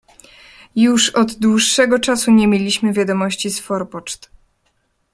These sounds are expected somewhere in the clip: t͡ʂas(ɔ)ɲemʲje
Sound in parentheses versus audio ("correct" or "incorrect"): incorrect